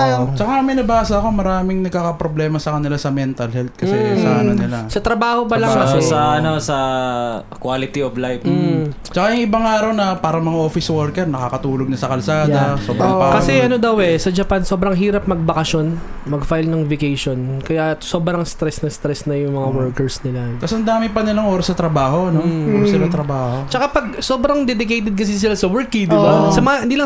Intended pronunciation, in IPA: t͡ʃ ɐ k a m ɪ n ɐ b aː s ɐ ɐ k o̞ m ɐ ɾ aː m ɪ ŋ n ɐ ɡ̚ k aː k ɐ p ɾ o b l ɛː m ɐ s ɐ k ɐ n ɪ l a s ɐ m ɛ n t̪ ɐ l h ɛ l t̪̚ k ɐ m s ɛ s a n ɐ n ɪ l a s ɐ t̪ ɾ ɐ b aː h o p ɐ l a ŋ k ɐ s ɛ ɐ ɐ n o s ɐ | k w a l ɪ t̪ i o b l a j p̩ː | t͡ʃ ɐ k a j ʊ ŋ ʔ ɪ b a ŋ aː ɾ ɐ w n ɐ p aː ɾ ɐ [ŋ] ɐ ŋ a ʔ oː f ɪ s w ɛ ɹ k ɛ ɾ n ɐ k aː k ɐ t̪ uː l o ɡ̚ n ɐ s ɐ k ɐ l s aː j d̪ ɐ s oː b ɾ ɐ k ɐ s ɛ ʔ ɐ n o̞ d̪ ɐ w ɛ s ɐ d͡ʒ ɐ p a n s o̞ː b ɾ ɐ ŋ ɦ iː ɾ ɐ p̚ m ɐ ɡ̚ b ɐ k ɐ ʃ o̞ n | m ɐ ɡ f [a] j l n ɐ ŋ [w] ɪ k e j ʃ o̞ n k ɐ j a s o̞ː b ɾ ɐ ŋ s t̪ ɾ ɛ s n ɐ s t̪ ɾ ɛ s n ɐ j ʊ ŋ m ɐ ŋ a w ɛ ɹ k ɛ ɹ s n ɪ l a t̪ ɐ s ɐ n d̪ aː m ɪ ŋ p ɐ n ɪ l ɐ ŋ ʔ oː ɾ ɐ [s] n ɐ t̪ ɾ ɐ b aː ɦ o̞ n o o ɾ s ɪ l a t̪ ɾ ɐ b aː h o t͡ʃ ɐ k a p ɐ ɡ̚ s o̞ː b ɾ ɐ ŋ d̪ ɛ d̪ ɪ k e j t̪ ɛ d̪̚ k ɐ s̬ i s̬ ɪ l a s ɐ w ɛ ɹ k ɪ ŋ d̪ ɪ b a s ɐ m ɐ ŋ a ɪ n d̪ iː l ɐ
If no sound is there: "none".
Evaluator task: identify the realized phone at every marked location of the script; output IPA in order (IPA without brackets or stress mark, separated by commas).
m, a, v, s